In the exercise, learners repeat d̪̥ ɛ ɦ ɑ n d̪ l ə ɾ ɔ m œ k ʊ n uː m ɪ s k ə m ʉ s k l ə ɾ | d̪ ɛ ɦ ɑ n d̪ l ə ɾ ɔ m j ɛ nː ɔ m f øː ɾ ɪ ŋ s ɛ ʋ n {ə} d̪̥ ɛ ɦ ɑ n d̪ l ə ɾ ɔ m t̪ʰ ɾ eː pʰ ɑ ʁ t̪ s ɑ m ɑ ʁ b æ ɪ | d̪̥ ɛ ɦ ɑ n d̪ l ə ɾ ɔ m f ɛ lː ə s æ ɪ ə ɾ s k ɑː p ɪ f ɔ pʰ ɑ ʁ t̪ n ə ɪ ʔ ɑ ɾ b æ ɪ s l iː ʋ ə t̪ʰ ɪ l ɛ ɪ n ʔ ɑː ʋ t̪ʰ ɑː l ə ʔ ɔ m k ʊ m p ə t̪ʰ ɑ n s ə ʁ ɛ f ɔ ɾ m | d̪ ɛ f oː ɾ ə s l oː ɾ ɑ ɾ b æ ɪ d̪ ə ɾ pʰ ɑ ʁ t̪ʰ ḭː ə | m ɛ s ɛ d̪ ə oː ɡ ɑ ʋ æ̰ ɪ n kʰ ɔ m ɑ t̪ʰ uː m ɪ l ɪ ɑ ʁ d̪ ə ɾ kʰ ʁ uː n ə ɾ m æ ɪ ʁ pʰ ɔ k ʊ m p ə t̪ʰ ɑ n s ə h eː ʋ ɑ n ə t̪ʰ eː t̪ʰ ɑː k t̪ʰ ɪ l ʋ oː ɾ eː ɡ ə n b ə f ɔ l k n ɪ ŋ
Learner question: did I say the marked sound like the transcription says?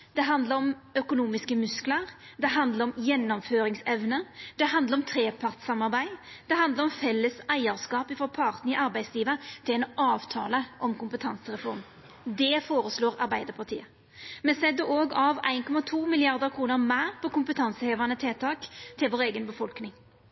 yes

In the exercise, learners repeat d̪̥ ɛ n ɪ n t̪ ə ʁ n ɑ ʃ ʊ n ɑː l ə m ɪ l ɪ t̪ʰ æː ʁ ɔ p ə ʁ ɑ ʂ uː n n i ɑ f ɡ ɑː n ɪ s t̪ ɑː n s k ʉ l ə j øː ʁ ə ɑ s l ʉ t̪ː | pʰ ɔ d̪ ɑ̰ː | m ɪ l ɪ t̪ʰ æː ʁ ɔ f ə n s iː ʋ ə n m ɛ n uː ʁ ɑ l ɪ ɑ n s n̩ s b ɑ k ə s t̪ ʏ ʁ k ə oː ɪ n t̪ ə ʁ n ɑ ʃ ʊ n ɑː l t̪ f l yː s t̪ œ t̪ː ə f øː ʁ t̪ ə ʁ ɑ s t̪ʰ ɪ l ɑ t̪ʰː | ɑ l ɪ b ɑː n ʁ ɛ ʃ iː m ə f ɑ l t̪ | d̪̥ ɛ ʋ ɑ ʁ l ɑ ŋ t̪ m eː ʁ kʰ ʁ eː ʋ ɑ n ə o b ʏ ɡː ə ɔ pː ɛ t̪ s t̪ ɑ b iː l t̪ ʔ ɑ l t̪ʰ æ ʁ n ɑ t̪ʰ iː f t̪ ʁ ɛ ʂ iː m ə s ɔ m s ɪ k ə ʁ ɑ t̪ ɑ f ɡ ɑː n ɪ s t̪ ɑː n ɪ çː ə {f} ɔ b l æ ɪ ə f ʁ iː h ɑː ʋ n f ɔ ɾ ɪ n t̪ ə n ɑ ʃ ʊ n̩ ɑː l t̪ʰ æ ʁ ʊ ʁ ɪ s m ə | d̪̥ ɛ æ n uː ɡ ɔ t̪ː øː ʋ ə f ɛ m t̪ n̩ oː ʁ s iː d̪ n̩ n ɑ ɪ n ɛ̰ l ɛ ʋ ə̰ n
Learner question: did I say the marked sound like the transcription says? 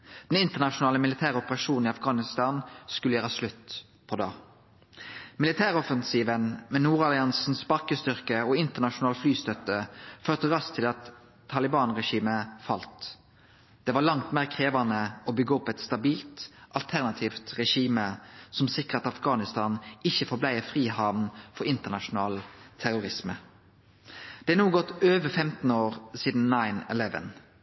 yes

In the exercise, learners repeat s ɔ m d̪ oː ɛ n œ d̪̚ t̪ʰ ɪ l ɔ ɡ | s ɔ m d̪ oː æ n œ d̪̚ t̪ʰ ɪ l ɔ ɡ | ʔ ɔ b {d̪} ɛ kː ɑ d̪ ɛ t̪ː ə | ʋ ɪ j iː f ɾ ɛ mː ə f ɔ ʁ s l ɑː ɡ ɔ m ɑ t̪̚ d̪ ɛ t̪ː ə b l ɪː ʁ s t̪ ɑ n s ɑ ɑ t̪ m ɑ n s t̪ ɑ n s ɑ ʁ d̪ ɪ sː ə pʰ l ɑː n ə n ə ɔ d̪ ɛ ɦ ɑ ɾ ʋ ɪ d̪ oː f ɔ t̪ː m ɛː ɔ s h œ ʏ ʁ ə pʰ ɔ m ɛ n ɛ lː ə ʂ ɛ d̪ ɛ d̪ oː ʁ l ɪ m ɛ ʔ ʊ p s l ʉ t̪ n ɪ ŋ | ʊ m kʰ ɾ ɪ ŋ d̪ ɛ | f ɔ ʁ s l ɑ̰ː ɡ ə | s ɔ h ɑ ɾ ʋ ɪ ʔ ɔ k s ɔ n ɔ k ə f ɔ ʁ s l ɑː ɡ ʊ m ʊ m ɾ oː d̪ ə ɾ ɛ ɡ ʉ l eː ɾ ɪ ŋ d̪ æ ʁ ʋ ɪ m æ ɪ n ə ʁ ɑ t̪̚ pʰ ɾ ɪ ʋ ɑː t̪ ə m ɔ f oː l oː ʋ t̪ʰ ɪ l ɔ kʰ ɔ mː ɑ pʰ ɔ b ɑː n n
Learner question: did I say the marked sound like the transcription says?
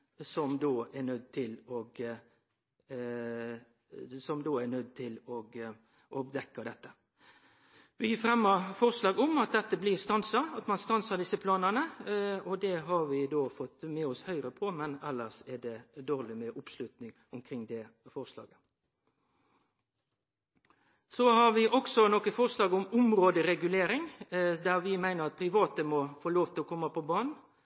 yes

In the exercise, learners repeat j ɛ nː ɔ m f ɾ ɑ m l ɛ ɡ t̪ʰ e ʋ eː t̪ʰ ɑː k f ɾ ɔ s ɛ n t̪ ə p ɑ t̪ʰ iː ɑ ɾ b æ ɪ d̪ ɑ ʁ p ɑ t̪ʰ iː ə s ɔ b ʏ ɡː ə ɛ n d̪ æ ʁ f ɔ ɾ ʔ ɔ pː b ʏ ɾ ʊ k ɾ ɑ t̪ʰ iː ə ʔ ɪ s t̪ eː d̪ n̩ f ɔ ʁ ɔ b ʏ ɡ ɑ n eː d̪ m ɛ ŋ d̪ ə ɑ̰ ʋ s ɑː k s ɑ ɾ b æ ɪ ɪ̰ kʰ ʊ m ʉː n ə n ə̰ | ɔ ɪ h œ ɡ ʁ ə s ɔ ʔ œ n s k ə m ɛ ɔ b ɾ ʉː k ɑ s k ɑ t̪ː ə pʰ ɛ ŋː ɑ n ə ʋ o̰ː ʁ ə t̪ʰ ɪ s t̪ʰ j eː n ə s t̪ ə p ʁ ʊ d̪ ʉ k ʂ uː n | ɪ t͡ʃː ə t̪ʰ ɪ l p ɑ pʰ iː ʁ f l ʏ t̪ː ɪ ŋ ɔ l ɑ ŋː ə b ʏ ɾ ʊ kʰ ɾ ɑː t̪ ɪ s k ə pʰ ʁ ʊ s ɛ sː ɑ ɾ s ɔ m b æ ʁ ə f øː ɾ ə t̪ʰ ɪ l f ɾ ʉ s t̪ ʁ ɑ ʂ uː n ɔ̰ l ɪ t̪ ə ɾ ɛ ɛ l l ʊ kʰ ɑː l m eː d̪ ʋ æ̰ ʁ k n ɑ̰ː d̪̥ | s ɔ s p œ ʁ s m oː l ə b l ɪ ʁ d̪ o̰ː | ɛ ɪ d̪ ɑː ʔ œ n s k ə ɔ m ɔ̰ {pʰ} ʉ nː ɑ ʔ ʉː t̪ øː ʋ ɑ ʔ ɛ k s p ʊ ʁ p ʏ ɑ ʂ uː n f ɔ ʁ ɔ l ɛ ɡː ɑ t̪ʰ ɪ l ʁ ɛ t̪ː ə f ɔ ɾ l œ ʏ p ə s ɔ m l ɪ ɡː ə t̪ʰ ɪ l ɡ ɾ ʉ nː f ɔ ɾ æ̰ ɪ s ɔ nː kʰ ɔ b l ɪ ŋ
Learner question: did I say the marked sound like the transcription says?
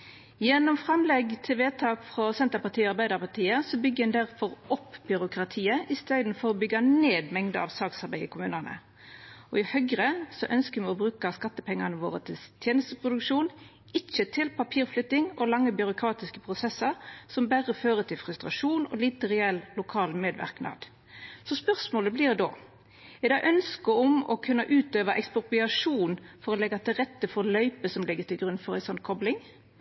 no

